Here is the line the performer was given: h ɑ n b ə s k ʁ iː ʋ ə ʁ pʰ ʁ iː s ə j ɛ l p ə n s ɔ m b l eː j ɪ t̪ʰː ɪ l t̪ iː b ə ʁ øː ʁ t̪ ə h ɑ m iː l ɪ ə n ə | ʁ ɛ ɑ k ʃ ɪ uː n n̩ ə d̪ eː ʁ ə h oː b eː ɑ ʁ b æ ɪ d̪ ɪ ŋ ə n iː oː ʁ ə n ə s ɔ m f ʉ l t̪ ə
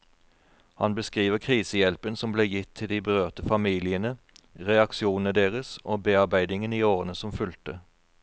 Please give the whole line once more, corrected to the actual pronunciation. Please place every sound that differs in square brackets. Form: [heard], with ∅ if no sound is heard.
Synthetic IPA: h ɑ n b ə s k ʁ iː ʋ ə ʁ [kʰ] ʁ iː s ə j ɛ l p ə n s ɔ m b l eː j ɪ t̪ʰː ɪ l [d̪] iː b ə ʁ øː ʁ t̪ ə [f] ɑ m iː l ɪ ə n ə | ʁ ɛ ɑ k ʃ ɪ uː n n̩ ə d̪ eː ʁ ə [s] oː b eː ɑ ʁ b æ ɪ d̪ ɪ ŋ ə n iː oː ʁ ə n ə s ɔ m f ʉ l t̪ ə